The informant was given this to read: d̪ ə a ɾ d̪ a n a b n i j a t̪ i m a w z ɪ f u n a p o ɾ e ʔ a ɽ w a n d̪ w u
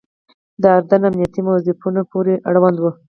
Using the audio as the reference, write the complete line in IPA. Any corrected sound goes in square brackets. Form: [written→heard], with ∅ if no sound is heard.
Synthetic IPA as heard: d̪ ə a ɾ d̪ a n a [b→m] n i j a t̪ i m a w z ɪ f u n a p o ɾ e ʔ a ɽ w a n d̪ w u